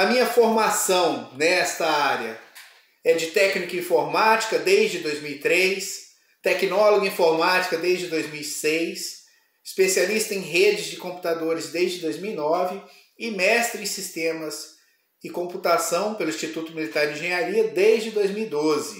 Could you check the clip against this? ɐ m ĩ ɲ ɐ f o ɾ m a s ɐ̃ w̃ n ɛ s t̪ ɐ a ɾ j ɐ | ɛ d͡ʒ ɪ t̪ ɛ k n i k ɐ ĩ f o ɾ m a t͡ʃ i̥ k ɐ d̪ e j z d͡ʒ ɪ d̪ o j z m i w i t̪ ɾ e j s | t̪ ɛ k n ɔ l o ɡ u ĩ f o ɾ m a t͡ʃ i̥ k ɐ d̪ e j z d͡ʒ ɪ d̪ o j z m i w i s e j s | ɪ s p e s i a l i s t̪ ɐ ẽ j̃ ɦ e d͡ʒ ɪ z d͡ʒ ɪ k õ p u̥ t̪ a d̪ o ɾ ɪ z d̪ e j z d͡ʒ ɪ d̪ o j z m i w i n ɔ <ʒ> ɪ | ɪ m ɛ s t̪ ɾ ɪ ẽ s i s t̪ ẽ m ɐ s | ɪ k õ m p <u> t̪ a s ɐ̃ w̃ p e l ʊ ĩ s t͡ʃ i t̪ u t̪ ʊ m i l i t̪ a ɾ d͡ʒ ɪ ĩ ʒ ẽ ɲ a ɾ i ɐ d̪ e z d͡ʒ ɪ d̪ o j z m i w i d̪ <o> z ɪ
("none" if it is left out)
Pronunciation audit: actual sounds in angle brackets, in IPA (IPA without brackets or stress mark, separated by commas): v, u, o